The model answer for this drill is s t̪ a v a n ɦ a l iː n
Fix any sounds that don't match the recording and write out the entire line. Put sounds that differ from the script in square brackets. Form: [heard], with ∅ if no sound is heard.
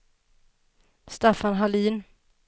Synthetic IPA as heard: s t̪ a [f] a n ɦ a l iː n